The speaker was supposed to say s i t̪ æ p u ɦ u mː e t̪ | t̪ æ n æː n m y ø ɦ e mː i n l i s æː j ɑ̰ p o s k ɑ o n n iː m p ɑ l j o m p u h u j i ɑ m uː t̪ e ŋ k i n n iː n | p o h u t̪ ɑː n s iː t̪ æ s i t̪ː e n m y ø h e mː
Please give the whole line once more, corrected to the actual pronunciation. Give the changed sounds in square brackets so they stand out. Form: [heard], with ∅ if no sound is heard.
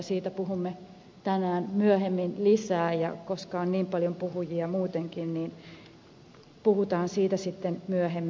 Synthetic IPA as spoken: s [iː] t̪ æ p u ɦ u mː e [∅] | t̪ æ n æː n m y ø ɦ e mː i n l i s æː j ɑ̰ [k] o s k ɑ o n n iː m p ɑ l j o m p u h u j i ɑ m uː t̪ e ŋ k i n n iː n | p [u] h u t̪ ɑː n s iː t̪ æ s i t̪ː e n m y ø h e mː